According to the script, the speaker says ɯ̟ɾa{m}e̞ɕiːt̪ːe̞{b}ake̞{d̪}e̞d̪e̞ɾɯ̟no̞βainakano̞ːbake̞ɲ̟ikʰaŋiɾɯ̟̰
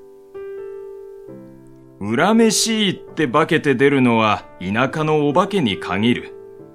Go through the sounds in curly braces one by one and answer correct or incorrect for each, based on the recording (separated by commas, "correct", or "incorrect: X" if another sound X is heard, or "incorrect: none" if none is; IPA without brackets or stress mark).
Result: correct, correct, incorrect: t̪